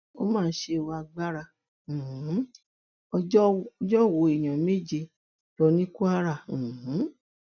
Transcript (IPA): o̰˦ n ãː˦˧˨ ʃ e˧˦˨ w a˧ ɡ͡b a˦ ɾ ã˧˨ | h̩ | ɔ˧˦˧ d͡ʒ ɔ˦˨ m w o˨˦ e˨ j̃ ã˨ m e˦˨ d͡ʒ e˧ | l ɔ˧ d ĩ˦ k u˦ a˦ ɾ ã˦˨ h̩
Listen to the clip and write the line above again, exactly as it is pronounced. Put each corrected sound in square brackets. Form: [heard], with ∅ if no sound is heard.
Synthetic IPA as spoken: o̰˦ [m] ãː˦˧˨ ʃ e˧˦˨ w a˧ ɡ͡b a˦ ɾ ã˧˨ | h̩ | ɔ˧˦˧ d͡ʒ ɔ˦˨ [∅] w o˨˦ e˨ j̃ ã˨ m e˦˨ d͡ʒ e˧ | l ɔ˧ [n] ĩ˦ k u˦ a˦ ɾ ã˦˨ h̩

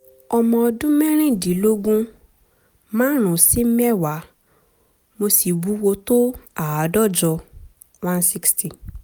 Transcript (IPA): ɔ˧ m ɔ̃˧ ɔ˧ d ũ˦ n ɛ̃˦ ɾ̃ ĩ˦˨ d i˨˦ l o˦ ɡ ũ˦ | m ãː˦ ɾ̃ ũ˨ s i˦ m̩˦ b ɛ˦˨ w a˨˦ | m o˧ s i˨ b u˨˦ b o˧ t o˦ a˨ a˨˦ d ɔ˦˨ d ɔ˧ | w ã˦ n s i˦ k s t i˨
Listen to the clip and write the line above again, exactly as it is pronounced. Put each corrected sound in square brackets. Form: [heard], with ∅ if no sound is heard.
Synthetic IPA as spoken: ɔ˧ m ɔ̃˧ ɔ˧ d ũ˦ [m] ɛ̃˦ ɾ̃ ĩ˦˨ d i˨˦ l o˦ ɡ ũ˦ | m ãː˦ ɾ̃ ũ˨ s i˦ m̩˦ [m] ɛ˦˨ w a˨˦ | m o˧ s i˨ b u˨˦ [w] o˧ t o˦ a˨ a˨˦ d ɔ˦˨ [d͡ʒ] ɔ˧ | w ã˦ n s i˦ k s t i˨

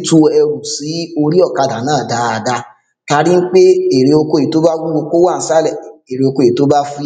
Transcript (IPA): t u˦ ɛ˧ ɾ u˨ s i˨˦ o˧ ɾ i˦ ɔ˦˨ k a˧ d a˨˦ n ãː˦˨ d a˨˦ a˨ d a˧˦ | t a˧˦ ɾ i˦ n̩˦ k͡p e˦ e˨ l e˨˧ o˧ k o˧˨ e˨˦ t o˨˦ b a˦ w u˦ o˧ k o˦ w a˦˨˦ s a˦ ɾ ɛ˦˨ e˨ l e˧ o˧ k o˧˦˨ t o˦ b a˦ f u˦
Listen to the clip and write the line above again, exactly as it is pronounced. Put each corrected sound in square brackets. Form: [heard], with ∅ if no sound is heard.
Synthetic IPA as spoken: t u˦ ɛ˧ ɾ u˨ s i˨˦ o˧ ɾ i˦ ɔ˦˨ k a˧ d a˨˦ n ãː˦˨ d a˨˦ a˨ d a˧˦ | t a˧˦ ɾ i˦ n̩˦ k͡p e˦ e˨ [ɾ] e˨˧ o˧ k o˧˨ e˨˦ t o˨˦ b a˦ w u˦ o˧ k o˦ w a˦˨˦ s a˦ [l] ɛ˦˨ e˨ [ɾ] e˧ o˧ k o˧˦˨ t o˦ b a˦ f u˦

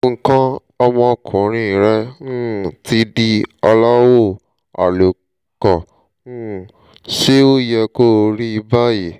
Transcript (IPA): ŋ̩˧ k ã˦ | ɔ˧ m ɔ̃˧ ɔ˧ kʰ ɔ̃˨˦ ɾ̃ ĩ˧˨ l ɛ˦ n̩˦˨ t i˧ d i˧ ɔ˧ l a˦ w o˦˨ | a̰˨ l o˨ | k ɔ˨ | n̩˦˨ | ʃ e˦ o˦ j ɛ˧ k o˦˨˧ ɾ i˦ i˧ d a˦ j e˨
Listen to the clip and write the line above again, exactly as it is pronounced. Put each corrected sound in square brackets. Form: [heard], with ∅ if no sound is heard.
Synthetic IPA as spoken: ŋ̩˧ k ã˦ | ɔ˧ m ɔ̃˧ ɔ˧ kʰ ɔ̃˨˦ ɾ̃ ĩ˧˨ [ɾ] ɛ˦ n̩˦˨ t i˧ d i˧ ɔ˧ l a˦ w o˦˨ | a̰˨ l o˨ | k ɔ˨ | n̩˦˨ | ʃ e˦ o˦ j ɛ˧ k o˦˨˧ ɾ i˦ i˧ [b] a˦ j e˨

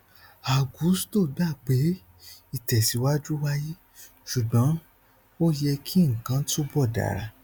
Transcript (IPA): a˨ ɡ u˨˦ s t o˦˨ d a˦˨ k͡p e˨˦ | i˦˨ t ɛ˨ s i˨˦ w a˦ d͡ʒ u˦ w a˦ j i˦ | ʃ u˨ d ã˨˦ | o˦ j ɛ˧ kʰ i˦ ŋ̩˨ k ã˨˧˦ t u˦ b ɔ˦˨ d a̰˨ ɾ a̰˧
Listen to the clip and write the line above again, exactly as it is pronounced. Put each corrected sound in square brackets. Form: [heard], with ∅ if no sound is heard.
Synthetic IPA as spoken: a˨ ɡ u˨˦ s t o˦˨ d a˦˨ k͡p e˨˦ | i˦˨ t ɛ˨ s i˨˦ w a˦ d͡ʒ u˦ w a˦ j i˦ | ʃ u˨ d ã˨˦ | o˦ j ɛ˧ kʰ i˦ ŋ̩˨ k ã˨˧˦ t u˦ b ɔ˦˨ d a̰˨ ɾ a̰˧

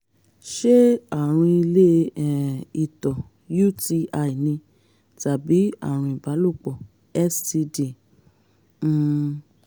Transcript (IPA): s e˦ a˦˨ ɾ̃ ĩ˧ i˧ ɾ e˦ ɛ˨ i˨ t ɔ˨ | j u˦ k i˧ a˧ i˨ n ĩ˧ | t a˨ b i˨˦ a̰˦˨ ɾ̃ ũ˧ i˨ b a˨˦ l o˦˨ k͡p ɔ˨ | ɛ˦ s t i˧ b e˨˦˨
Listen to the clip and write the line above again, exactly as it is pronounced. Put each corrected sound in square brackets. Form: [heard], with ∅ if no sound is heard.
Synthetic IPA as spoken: [ʃ] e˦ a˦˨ ɾ̃ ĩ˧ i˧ [l] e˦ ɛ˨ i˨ t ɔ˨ | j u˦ [t] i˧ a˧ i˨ n ĩ˧ | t a˨ b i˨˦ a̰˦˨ ɾ̃ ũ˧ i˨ b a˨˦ l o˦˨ k͡p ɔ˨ | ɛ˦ s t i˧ [d] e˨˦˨

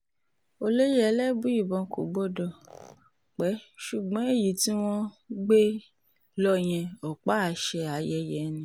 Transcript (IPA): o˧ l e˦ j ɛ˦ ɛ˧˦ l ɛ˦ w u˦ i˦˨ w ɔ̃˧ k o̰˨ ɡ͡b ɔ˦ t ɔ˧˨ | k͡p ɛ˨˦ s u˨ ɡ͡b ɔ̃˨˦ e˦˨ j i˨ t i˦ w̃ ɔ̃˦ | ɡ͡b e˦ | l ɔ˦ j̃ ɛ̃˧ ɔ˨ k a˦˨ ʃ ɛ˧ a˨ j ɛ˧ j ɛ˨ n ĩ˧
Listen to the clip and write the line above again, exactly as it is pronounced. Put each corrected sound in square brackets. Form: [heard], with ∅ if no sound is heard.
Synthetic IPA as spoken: o˧ l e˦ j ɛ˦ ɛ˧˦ l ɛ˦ [b] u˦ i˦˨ [b] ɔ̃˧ k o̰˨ ɡ͡b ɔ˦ [d] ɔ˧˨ | k͡p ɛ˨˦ [ʃ] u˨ ɡ͡b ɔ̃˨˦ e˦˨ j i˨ t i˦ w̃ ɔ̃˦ | ɡ͡b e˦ | l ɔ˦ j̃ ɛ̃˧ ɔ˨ [k͡p] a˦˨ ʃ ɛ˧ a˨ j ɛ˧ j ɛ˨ n ĩ˧

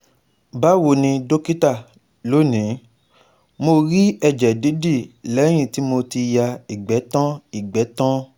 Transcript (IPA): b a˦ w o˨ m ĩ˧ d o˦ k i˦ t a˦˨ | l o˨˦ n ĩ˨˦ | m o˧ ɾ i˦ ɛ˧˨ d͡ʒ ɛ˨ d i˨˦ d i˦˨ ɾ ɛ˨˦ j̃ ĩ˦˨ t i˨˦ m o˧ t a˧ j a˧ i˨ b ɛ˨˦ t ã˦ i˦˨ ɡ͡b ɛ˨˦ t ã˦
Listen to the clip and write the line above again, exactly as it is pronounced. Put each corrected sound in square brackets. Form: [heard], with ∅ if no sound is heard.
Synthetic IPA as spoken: b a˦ w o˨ [n] ĩ˧ d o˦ k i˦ t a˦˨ | l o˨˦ n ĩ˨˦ | m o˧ ɾ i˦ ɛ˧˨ d͡ʒ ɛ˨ d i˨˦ d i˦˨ [l] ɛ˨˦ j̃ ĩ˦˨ t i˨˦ m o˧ t [i˧] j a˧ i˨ [ɡ͡b] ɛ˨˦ t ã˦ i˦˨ ɡ͡b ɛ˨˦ t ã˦

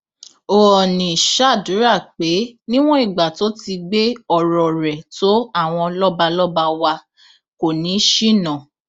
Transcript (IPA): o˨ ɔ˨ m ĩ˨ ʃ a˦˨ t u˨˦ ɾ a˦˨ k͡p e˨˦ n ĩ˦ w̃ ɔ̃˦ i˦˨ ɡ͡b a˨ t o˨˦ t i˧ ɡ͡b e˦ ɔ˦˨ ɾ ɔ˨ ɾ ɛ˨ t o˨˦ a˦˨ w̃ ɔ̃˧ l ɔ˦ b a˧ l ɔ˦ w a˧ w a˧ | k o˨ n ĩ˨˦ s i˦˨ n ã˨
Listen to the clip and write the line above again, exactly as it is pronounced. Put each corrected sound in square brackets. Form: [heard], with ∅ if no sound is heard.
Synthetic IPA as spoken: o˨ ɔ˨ [n] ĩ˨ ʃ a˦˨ [d] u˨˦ ɾ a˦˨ k͡p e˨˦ n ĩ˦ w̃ ɔ̃˦ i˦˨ ɡ͡b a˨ t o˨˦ t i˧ ɡ͡b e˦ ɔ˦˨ ɾ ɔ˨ ɾ ɛ˨ t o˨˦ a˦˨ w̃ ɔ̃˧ l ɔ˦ b a˧ l ɔ˦ [b] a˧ w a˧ | k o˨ n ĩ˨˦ [ʃ] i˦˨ n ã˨

